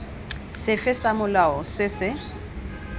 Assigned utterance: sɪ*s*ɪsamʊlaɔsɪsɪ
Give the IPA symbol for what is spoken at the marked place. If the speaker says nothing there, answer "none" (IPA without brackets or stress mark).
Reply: f